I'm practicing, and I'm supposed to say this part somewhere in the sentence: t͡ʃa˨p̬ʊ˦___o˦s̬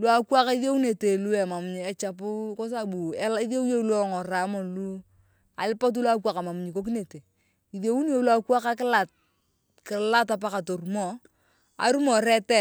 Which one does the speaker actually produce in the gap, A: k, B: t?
A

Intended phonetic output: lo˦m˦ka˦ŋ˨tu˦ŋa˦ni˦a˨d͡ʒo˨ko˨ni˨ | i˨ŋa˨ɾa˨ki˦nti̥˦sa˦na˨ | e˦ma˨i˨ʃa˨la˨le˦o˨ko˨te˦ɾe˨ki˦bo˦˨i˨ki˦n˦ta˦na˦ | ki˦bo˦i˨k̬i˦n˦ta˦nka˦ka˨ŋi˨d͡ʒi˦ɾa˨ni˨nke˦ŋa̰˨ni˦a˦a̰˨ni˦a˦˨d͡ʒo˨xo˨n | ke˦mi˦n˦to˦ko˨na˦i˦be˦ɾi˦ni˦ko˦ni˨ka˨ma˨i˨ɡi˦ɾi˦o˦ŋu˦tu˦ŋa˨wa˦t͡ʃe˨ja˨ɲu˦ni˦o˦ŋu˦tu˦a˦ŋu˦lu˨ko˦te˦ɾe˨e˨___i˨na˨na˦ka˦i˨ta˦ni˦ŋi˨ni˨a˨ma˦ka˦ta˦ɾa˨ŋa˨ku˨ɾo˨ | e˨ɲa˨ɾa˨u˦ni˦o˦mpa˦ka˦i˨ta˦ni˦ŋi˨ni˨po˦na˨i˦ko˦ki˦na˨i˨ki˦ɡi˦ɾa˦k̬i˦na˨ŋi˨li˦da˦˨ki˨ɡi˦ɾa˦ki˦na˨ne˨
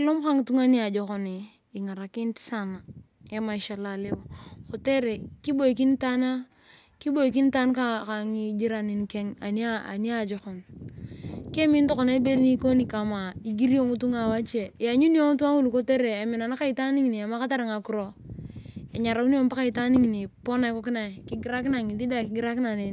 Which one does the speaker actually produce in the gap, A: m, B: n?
A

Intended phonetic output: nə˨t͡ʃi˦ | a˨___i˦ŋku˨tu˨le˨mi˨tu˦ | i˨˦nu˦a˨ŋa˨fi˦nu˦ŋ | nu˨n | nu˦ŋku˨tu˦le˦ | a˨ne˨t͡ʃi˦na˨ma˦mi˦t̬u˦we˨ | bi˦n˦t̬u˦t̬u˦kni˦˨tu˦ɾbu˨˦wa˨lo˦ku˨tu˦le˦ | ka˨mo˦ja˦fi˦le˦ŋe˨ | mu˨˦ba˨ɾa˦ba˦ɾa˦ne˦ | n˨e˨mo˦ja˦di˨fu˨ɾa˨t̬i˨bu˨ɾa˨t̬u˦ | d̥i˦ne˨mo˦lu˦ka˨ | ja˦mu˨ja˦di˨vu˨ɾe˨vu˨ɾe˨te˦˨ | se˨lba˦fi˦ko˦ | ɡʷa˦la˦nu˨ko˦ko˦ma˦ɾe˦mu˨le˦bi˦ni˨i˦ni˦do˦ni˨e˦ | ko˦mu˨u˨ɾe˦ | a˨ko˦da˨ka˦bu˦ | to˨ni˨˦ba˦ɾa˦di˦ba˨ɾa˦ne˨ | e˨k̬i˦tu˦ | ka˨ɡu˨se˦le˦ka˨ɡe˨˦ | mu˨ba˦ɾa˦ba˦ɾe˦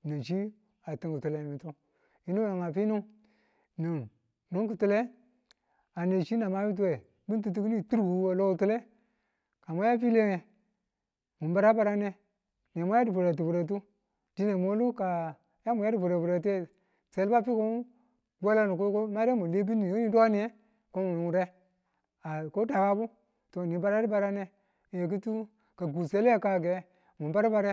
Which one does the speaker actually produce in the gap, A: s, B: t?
B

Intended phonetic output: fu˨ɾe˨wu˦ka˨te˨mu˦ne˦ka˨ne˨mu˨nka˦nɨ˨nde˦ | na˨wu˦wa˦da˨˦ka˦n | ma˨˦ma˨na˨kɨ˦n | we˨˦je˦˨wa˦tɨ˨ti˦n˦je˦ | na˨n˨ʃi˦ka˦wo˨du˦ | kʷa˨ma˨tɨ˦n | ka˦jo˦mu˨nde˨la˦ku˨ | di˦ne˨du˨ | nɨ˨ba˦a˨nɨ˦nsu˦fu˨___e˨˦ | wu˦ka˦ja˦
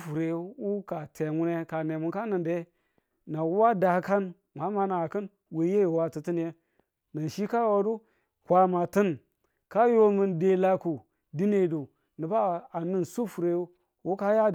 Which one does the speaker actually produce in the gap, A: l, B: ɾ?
B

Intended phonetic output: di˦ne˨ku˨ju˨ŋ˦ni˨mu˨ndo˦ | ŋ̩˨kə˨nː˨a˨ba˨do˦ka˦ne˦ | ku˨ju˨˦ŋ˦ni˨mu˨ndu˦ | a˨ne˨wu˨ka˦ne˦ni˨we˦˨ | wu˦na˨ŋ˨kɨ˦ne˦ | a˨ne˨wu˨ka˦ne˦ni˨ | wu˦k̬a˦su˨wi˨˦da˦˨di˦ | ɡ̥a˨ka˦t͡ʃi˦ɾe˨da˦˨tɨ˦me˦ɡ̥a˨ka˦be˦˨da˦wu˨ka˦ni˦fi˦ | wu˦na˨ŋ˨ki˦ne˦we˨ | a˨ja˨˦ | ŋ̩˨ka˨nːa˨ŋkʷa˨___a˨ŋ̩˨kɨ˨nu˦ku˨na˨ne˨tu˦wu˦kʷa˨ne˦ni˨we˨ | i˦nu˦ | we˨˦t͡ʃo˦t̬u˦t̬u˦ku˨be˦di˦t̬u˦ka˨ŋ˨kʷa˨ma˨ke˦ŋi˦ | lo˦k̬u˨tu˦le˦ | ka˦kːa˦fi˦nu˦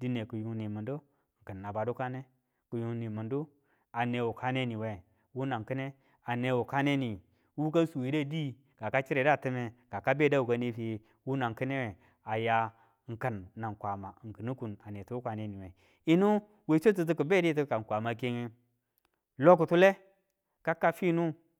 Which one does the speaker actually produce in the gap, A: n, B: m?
B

